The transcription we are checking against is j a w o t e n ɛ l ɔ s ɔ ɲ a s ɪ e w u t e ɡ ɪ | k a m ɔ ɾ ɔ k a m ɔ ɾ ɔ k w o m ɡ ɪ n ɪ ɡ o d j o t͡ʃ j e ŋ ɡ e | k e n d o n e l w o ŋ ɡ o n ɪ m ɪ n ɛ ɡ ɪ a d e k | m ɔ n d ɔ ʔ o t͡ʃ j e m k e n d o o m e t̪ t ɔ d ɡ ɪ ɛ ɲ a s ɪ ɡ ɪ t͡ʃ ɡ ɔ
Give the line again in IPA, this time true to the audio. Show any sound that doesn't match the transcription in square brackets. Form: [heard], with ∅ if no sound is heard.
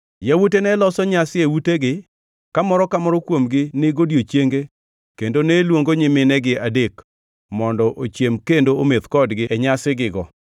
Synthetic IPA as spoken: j a w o t e n ɛ l ɔ s ɔ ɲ a s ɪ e w u t e ɡ ɪ | k a m ɔ ɾ ɔ k a m ɔ ɾ ɔ k w o m ɡ ɪ n ɪ ɡ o d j o t͡ʃ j e ŋ ɡ e | k e n d o n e l w o ŋ ɡ o [ɲ] ɪ m ɪ n ɛ ɡ ɪ a d e k | m ɔ n d ɔ ʔ o t͡ʃ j e m k e n d o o m e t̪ [k] ɔ d ɡ ɪ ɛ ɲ a s ɪ ɡ ɪ [∅] ɡ ɔ